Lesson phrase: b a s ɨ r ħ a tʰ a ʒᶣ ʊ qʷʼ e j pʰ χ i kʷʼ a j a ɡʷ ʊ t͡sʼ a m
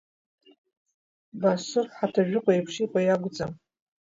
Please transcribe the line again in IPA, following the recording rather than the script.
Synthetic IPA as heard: b a s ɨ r ħ a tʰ a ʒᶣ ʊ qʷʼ a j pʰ ʂ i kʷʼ a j a ɡʷ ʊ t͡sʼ a m